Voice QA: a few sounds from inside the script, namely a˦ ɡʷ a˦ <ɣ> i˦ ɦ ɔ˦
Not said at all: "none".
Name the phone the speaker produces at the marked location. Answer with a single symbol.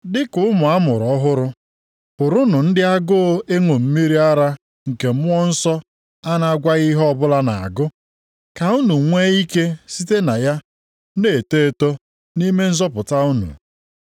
ɣ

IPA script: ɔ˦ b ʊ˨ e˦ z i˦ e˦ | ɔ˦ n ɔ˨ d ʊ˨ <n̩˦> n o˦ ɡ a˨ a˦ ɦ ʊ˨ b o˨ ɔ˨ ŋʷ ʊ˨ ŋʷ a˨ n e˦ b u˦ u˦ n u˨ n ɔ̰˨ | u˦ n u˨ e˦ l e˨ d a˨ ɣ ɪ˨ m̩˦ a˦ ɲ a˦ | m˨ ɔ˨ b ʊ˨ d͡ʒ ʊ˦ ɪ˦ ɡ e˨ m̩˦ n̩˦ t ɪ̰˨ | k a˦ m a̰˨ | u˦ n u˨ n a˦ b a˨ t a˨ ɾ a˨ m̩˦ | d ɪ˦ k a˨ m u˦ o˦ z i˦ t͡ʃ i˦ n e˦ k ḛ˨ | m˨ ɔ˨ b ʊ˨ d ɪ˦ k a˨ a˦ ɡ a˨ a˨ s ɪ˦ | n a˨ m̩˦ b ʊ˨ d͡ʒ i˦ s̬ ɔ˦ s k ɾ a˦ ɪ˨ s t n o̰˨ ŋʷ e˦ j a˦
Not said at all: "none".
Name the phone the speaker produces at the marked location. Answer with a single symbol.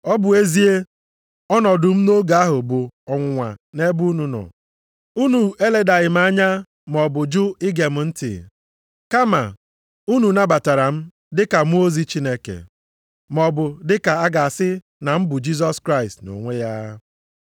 m̩˦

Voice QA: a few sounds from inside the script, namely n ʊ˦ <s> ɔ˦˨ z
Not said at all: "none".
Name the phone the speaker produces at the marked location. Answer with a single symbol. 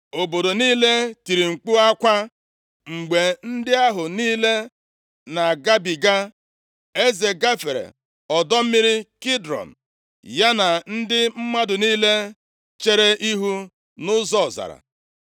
z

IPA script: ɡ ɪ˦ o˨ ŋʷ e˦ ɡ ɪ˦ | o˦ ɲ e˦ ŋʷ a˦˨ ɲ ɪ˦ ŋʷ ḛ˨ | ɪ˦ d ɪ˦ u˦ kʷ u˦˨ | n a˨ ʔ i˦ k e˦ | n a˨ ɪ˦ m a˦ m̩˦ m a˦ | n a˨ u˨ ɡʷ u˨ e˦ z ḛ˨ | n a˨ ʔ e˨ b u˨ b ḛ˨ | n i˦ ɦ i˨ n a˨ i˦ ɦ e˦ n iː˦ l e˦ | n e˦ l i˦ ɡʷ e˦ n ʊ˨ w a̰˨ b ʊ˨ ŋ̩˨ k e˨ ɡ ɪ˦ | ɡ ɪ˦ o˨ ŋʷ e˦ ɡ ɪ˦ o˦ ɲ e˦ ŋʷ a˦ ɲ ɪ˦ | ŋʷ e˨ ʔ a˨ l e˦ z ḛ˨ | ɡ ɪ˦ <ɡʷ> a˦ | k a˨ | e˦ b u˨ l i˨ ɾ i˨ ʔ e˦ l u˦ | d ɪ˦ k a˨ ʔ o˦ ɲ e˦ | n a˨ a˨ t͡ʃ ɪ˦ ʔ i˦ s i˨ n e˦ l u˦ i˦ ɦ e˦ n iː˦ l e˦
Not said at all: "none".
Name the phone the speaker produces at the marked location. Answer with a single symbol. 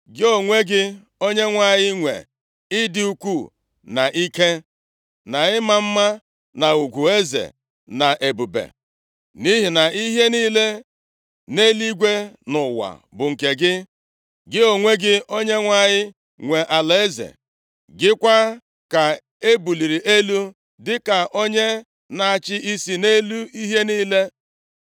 kʷ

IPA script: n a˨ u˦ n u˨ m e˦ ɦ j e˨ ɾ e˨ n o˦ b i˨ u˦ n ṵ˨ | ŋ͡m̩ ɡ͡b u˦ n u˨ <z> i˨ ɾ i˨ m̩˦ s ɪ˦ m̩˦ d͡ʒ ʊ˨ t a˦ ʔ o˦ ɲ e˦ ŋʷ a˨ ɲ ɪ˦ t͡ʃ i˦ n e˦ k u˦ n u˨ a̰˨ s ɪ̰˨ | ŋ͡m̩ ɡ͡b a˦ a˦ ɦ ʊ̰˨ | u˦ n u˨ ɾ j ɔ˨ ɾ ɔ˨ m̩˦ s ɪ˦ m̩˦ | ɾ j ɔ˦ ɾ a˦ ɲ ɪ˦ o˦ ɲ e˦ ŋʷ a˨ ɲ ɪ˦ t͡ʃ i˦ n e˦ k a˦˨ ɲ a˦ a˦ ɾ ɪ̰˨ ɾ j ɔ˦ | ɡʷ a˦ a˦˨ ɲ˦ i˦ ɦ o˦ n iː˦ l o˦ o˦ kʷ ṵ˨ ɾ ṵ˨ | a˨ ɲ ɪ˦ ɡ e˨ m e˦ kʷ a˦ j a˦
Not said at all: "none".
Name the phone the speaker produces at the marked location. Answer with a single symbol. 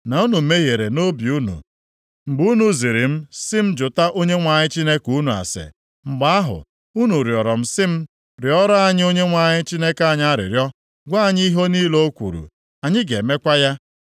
z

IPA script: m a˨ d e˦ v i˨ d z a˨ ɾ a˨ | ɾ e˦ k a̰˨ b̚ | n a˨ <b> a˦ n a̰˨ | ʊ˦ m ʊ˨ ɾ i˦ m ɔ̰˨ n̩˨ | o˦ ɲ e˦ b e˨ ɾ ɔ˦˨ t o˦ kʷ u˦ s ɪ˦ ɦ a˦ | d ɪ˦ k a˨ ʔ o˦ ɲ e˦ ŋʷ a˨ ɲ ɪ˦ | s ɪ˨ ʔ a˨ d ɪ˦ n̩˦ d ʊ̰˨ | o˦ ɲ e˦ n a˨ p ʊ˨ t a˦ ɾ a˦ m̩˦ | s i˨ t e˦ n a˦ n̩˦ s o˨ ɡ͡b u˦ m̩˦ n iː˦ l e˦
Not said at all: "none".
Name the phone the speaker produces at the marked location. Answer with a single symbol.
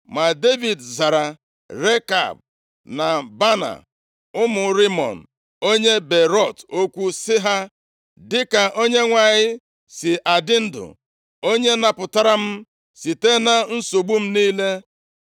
b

